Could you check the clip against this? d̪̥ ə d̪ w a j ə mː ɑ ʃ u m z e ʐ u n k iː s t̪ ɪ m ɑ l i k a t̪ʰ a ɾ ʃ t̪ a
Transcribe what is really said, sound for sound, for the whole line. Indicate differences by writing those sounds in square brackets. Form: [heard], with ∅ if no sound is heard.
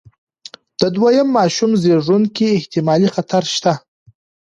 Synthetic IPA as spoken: d̪̥ ə d̪ w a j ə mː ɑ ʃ u m z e ʐ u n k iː [h] t̪ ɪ m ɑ l i [x] a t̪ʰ a ɾ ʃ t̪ a